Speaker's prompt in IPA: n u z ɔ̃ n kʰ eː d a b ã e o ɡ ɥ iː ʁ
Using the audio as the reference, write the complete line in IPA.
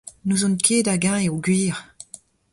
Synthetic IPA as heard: n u z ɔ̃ n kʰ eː d a ɡ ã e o ɡ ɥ iː ʁ